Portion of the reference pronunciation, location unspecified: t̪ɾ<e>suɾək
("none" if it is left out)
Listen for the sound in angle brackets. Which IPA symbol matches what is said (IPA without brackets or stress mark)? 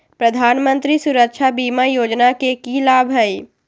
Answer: i